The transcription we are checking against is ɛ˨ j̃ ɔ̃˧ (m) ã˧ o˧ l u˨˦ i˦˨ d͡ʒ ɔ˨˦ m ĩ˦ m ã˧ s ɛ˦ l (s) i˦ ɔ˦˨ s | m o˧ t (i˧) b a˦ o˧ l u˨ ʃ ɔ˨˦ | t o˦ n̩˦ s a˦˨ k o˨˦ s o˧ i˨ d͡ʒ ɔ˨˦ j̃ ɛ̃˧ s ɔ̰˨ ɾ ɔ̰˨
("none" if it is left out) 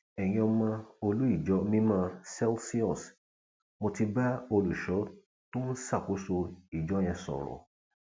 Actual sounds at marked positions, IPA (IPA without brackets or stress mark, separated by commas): m, s, i˧